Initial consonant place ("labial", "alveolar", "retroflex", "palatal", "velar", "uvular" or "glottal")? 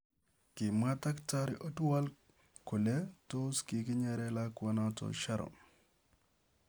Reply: velar